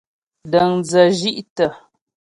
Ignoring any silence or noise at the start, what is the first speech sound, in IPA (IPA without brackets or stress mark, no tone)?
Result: d